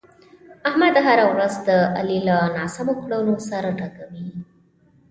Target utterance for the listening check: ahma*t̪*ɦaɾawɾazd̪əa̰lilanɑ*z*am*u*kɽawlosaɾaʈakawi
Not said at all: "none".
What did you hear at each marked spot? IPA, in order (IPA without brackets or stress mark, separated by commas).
d̪, s, o